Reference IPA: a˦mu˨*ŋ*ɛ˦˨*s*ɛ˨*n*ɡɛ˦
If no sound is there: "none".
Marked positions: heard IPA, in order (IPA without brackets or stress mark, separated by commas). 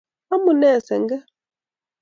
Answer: n, s, ŋ